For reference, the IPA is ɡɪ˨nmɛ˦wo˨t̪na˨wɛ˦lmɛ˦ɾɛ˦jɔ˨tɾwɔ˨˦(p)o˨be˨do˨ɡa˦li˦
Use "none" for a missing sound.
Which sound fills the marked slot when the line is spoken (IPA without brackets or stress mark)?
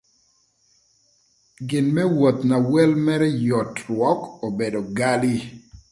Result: k